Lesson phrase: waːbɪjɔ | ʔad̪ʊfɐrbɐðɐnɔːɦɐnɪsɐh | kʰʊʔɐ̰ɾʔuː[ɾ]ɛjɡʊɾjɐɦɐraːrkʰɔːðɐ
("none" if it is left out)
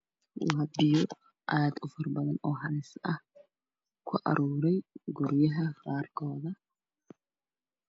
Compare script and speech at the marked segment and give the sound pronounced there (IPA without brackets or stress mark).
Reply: ɾ